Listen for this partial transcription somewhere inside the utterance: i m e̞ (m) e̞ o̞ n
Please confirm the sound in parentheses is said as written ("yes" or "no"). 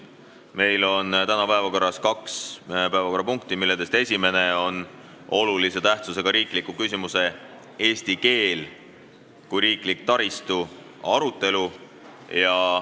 no